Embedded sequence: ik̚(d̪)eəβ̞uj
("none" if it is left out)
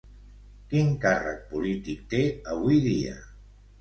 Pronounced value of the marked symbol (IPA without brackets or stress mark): t̪